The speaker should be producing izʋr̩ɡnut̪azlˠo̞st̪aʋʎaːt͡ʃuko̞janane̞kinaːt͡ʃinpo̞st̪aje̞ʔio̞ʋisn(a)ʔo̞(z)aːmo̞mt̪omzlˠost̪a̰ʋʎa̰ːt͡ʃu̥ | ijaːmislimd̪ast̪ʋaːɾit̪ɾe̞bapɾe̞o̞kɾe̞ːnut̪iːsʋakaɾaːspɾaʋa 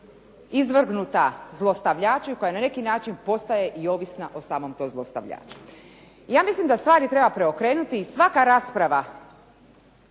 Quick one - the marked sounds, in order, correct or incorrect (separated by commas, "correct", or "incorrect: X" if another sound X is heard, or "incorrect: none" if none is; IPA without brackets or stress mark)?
correct, incorrect: s